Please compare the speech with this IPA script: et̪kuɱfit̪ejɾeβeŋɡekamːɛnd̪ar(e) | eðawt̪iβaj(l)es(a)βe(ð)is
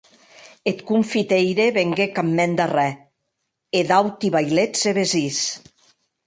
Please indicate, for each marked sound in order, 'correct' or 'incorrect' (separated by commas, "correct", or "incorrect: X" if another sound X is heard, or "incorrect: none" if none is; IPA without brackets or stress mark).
incorrect: ɛ, correct, incorrect: e, incorrect: z